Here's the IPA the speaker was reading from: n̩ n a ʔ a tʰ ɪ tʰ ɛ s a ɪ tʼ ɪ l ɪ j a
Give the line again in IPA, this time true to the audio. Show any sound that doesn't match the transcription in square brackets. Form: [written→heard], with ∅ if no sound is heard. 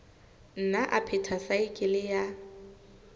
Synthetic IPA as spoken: n̩ n a ʔ a [tʰ→pʰ] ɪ tʰ [ɛ→a] s a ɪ [tʼ→kʼ] ɪ l ɪ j a